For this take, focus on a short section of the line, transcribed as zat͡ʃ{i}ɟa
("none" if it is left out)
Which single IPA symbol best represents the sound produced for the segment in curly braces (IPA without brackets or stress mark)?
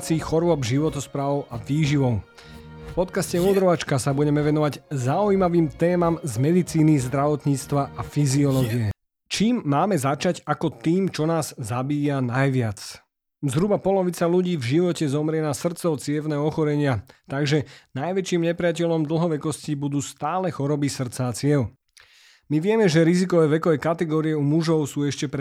a